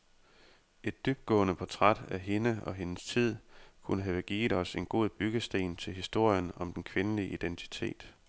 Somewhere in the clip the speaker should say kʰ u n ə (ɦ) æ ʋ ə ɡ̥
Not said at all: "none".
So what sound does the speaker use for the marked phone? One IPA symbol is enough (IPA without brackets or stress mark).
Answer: ɦ